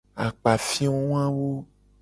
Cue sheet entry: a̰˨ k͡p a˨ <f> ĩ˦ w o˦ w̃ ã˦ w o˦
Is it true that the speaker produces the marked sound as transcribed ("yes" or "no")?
yes